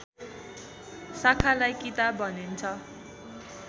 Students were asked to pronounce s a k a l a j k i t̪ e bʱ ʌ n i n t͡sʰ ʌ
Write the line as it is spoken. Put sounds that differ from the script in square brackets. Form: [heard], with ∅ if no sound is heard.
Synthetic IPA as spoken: s a [kʰ] a l a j k i t̪ [a] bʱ ʌ n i n t͡sʰ ʌ